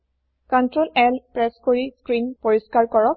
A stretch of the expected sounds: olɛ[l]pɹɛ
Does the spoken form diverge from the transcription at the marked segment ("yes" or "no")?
no